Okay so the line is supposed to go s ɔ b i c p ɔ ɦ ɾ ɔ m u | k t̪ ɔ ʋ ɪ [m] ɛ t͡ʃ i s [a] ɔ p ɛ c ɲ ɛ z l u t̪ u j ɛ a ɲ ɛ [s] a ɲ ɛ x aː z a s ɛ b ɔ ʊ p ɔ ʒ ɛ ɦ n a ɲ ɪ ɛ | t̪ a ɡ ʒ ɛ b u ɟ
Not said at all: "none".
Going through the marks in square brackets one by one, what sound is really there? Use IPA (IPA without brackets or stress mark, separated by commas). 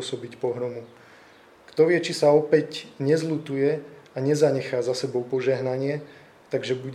none, a, z